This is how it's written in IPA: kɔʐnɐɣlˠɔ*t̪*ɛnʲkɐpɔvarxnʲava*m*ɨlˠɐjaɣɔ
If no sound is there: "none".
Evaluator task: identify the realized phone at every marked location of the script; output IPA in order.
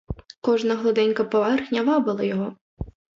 d̪, b

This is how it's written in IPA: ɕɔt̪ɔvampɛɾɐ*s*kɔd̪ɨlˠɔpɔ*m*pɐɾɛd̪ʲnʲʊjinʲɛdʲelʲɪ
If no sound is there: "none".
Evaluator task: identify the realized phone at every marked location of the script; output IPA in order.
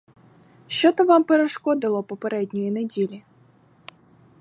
ʂ, none

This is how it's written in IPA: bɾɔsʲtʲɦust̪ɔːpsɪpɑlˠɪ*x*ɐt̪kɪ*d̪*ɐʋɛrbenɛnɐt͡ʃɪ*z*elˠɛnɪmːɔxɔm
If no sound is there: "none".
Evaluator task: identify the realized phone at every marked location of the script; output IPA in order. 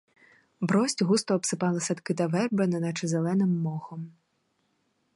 s, t̪, z

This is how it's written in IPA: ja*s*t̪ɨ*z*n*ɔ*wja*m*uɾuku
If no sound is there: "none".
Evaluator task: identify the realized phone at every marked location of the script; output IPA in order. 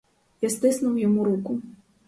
s, s, u, m

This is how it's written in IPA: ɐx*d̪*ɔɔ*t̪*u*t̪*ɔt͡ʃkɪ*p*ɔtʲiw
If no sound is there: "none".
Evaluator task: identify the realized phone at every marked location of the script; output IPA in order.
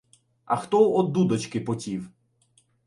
t̪, d̪, d̪, p

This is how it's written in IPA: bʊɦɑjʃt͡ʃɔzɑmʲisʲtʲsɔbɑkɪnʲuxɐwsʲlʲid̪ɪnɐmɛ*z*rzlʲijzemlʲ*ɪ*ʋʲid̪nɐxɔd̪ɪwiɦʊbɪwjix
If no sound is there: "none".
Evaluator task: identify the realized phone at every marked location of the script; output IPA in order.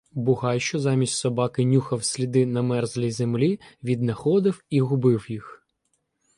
none, i

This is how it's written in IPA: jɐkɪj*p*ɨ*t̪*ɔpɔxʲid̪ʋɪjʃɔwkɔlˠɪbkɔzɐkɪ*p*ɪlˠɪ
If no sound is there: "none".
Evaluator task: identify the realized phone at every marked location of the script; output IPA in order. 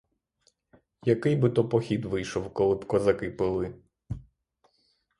b, t̪, p

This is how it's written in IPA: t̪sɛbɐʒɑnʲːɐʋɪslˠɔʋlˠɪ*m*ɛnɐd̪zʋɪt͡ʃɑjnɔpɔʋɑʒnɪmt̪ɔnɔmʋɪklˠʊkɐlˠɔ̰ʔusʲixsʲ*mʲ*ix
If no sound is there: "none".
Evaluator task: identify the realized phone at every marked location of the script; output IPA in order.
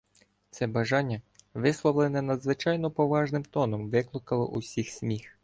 n, mʲ

